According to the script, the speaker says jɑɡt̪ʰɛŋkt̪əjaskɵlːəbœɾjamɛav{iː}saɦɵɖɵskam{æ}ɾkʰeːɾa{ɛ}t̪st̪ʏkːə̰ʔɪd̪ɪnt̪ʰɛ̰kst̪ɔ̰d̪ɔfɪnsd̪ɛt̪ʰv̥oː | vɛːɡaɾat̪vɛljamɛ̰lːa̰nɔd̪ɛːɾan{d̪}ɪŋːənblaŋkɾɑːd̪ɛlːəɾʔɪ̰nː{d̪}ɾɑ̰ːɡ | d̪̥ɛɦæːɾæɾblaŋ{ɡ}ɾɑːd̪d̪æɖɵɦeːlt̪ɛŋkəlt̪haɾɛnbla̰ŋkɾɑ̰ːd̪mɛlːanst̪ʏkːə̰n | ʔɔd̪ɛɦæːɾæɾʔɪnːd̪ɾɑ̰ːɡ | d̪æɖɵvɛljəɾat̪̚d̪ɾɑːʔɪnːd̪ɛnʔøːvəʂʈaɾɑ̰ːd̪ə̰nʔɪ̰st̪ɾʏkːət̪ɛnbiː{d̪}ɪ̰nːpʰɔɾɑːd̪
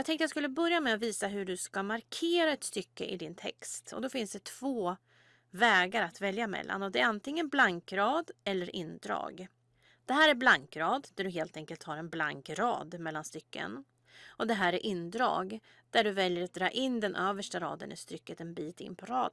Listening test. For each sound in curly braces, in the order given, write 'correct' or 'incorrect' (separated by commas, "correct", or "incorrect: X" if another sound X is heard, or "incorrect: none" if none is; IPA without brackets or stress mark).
correct, incorrect: a, correct, incorrect: t̪, correct, incorrect: k, incorrect: t̪